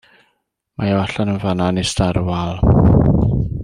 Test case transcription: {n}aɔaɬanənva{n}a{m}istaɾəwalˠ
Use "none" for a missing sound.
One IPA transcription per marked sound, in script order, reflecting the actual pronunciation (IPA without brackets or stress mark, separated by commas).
m, n, n